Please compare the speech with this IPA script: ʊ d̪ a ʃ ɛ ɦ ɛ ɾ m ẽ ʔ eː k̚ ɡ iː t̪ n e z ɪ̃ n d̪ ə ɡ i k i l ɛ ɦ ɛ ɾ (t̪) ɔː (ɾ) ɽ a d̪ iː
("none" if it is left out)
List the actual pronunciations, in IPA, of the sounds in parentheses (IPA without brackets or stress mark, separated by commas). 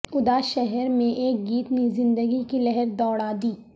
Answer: d̪, none